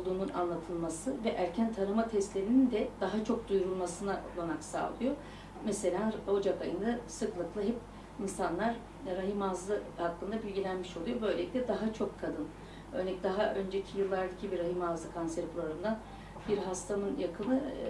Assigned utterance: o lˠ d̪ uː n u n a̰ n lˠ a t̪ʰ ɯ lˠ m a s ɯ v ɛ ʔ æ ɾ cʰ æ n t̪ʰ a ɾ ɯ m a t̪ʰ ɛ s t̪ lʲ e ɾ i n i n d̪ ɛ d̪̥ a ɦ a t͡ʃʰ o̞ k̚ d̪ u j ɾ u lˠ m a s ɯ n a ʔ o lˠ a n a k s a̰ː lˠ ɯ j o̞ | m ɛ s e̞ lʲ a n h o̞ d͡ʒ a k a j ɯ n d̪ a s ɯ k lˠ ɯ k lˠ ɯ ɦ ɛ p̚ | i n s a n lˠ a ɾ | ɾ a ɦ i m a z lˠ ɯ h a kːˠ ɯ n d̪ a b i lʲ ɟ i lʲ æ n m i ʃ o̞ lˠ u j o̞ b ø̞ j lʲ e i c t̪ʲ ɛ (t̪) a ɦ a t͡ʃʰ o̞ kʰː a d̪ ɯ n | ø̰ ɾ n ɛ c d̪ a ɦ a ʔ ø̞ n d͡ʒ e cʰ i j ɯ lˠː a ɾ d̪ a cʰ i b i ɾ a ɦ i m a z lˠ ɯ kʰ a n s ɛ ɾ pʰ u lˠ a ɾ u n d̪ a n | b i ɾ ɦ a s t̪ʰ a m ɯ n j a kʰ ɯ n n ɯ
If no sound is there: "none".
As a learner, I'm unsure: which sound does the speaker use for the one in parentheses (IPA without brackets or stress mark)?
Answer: d̪